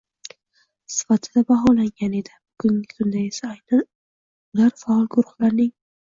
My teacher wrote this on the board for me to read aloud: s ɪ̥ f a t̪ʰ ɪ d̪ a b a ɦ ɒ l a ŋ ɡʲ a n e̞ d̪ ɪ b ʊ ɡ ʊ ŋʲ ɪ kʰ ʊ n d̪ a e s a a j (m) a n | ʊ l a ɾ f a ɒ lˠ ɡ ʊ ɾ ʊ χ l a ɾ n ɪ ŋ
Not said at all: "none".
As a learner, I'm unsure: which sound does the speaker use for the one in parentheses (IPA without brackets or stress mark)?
n